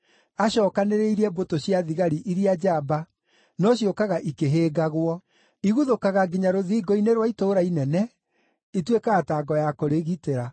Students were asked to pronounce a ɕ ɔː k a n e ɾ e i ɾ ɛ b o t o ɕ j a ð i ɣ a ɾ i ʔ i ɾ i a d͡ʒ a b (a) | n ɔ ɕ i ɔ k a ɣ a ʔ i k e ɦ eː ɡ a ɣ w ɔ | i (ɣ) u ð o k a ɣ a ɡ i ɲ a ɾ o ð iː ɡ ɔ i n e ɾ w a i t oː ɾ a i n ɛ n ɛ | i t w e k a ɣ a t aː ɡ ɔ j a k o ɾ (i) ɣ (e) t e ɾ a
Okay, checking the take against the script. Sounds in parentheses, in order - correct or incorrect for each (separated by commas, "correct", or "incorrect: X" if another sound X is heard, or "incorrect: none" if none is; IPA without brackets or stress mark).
correct, correct, incorrect: e, incorrect: i